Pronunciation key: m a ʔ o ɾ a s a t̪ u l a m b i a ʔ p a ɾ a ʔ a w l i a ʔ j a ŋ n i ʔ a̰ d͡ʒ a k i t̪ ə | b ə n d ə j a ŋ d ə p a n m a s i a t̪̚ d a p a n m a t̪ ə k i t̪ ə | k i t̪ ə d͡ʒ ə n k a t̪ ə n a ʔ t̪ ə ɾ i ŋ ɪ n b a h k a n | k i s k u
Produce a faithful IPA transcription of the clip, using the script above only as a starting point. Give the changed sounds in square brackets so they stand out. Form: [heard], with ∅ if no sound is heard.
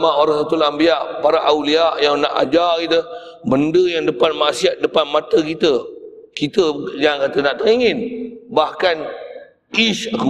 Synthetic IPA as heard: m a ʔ o ɾ a s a t̪ u l a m b i a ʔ p a ɾ a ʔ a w l i a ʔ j a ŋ n [a] ʔ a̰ d͡ʒ a k i t̪ ə | b ə n d ə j a ŋ d ə p a n m a s i a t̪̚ d [ə] p a n m a t̪ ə k i t̪ ə | k i t̪ ə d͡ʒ [a] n k a t̪ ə n a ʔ t̪ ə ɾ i ŋ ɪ n b a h k a n | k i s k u